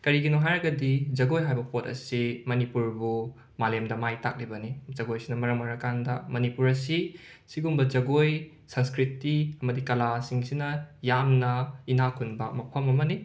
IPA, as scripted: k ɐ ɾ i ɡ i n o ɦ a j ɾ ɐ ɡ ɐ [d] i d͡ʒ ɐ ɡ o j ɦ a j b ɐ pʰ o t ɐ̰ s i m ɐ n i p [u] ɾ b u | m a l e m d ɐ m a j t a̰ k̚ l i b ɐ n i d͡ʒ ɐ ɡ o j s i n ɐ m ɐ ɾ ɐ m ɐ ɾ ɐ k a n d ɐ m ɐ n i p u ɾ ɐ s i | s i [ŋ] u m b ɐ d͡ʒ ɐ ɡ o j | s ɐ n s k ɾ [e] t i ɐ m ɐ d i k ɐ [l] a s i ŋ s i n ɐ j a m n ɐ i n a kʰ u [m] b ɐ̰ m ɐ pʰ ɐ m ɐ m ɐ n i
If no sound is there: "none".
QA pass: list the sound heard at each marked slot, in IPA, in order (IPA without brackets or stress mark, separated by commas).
d, u, ɡ, i, l, n